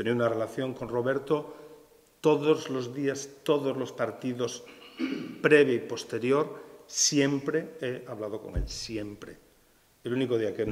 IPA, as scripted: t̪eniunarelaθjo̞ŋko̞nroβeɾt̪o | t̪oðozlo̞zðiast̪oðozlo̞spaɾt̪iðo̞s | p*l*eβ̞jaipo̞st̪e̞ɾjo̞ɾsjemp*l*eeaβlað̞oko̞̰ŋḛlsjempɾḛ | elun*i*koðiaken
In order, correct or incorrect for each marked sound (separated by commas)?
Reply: incorrect, incorrect, correct